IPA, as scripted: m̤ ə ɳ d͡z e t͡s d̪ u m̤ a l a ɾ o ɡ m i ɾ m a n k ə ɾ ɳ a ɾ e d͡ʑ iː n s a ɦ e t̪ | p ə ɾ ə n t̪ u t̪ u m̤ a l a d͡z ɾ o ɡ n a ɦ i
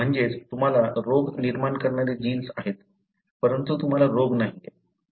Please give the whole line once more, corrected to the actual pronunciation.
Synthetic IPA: m̤ ə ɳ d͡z e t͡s t̪ u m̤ a l a ɾ o ɡ n i ɾ m a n k ə ɾ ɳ a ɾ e d͡ʑ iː n s a ɦ e t̪ | p ə ɾ ə n t̪ u t̪ u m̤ a l a ɾ o ɡ n a ɦ i